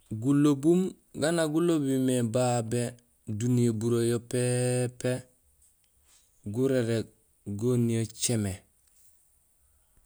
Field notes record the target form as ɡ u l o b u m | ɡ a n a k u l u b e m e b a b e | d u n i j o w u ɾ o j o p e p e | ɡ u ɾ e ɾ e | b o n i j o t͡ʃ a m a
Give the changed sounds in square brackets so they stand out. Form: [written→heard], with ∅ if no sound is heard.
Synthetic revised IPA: ɡ u l o b u m | ɡ a n a [k→ɡ] u l [u→o] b [e→i] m e b a b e | d u n i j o [w→b] u ɾ o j o p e p e | ɡ u ɾ e ɾ e | [b→ɡ] o n i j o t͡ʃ [a→e] m [a→e]

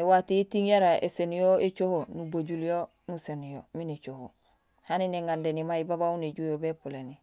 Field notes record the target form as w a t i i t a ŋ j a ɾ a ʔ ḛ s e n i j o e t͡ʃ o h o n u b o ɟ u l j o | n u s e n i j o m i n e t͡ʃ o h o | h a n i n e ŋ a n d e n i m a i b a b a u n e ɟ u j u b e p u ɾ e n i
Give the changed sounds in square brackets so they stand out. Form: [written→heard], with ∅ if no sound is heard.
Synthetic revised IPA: w a t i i t [a→i] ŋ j a ɾ a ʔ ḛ s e n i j o e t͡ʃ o h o n u b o ɟ u l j o | n u s e n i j o m i n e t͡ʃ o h o | h a n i n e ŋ a n d e n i m a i b a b a u n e ɟ u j [u→o] b e p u [ɾ→l] e n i

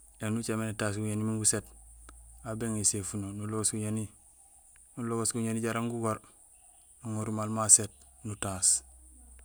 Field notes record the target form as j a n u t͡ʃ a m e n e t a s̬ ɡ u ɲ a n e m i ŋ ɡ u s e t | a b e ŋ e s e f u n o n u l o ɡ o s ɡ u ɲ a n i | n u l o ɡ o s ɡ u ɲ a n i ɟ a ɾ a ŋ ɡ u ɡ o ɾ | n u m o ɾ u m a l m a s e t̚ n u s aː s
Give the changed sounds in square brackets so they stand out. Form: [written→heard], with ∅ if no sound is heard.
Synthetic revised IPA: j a n u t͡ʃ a m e n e t a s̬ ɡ u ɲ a n [e→i] m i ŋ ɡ u s e t | a b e ŋ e s e f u n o n u l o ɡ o s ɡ u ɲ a n i | n u l o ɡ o s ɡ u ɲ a n i ɟ a ɾ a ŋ ɡ u ɡ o ɾ | n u [m→ŋ] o ɾ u m a l m a s e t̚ n u [s→t] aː s

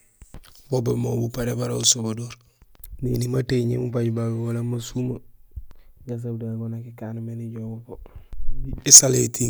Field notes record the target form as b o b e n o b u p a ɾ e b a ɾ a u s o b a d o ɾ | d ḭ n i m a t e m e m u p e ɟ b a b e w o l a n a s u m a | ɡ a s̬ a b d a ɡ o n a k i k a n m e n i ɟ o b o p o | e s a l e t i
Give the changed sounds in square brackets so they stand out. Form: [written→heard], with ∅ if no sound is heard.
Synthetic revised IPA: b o b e [n→m] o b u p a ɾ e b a ɾ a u s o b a d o ɾ | [d→n] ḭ n i m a t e [m→ɲ] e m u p [e→a] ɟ b a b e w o l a [n→m] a s u m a | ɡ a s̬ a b d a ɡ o n a k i k a n m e n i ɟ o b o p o | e s a l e t i

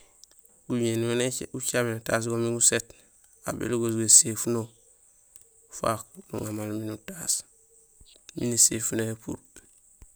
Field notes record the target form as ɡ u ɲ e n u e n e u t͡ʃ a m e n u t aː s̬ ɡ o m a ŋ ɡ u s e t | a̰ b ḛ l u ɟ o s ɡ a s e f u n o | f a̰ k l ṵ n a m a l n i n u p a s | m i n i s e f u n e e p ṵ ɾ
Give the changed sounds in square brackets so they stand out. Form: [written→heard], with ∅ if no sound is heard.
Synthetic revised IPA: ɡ u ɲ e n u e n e u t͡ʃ a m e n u t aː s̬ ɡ o m [a→i] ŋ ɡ u s e t | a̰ b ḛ l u [ɟ→ɡ] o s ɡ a s e f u n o | f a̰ k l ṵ [n→ŋ] a m a l [n→m] i n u [p→t] a s | m i n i s e f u n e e p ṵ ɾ

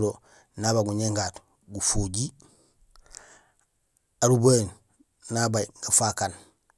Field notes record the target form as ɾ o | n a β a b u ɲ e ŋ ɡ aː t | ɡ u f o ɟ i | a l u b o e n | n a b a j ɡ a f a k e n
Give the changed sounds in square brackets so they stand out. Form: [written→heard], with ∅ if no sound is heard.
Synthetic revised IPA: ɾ o | n a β a [b→ɡ] u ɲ e ŋ ɡ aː t | ɡ u f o ɟ i | a [l→ɾ] u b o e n | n a b a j ɡ a f a k [e→a] n

